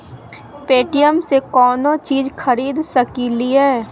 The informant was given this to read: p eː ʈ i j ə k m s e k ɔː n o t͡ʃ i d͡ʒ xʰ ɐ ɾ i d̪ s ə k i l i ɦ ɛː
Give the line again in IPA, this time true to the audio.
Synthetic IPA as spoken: p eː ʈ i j ə m s e k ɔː n o t͡ʃ iː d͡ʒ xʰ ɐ ɾ iː d̪ s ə k i l i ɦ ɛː